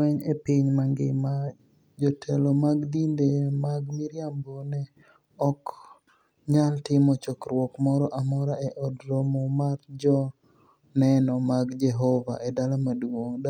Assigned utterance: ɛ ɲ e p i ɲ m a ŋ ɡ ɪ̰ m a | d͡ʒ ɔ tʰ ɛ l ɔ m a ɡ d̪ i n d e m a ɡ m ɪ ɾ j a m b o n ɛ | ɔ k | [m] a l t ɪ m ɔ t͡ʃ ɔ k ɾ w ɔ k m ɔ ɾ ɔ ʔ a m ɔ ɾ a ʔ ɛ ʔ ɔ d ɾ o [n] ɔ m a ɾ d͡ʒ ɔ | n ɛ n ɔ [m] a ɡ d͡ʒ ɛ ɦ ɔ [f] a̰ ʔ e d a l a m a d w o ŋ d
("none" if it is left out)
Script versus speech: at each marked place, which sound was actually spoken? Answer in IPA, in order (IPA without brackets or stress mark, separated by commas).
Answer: ɲ, m, m, v